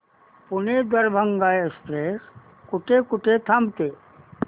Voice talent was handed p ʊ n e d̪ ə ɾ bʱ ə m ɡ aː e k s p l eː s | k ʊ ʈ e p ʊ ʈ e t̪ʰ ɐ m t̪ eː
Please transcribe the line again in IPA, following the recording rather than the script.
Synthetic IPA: p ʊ n e d̪ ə ɾ bʱ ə ŋ ɡ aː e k s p ɾ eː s | k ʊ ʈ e k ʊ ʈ e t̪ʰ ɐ m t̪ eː